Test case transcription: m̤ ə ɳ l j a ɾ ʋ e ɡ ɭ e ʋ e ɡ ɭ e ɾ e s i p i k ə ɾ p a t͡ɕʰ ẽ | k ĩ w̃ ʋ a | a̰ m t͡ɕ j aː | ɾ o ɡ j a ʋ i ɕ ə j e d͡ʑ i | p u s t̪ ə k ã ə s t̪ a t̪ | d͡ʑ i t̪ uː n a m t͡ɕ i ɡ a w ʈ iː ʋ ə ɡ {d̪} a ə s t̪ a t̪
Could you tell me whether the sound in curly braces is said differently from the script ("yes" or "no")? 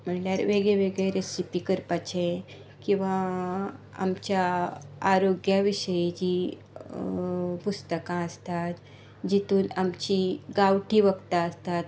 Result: yes